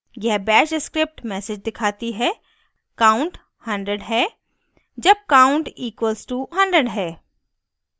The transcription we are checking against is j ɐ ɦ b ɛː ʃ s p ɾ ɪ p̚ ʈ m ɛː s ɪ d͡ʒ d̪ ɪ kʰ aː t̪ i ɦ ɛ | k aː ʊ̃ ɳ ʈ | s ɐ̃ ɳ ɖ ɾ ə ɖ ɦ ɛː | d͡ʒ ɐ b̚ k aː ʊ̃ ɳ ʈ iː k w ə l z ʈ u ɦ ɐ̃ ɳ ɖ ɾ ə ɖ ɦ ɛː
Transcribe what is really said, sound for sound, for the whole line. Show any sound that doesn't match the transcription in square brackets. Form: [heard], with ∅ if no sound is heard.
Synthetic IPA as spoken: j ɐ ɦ b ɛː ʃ s [k] ɾ ɪ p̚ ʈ m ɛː s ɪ d͡ʒ d̪ ɪ kʰ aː t̪ i ɦ ɛ | k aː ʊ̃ ɳ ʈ | [h] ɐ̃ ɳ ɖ ɾ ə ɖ ɦ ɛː | d͡ʒ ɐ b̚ k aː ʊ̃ ɳ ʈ iː k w ə l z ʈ u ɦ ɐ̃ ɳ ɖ ɾ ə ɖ ɦ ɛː